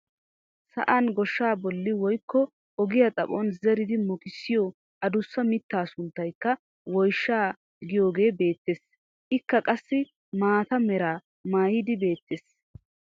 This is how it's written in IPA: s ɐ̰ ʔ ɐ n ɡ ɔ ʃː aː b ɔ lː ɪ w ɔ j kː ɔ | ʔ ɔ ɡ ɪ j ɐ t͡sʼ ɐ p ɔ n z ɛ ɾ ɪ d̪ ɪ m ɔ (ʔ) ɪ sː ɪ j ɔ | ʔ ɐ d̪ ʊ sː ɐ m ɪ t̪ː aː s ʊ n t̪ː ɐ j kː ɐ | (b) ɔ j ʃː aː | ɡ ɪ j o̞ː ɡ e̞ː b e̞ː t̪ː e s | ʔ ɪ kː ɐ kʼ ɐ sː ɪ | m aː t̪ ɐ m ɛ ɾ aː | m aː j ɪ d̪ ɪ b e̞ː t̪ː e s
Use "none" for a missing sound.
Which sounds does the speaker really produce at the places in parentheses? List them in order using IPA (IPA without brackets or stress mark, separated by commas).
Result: k, w